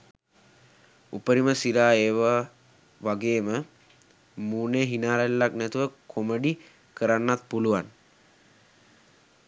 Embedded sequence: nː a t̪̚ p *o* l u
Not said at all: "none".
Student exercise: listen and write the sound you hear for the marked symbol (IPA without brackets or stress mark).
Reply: u